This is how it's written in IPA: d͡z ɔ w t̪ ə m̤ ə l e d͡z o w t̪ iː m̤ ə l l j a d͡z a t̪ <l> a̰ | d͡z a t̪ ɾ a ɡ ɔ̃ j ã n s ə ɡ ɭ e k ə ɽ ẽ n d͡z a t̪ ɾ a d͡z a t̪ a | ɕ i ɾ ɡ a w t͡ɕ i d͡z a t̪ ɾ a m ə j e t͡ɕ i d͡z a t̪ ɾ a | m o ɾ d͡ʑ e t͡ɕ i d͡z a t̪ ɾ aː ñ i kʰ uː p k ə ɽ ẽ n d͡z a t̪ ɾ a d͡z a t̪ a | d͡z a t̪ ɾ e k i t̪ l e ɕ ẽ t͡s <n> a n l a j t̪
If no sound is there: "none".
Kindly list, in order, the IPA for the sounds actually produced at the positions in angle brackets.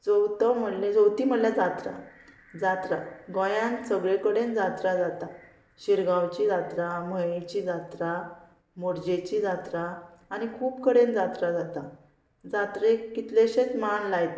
ɾ, m

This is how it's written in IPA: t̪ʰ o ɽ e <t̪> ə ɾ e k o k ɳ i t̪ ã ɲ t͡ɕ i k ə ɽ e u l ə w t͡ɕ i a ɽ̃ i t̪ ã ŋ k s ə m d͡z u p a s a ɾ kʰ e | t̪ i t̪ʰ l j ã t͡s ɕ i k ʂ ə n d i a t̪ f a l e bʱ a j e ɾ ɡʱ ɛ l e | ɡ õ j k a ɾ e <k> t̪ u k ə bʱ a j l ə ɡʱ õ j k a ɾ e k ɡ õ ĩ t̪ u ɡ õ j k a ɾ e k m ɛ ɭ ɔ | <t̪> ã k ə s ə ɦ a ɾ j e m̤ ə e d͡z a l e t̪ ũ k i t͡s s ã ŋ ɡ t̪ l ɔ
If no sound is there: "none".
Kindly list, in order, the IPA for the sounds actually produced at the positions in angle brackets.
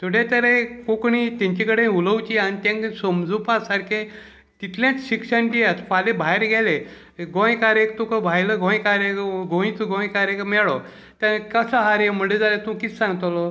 t̪, k, t̪

